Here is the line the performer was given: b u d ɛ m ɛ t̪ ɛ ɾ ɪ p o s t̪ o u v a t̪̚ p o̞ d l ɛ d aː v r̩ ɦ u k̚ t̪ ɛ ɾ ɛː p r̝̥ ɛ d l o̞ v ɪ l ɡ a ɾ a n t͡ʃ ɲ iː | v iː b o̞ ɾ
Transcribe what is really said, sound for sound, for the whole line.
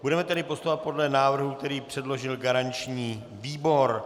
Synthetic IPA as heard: b u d ɛ m ɛ t̪ ɛ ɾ ɪ p o s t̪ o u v a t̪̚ p o̞ d l ɛ n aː v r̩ ɦ u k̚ t̪ ɛ ɾ iː p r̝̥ ɛ d l o̞ ʒ ɪ l ɡ a ɾ a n t͡ʃ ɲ iː | v iː b o̞ ɾ